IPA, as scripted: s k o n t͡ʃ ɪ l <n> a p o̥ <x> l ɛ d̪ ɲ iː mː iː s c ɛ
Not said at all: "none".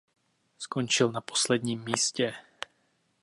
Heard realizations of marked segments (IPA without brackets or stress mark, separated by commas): n, s